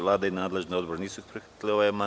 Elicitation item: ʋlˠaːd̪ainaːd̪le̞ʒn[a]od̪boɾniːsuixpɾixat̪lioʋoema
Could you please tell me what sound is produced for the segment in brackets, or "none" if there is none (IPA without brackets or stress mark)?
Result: i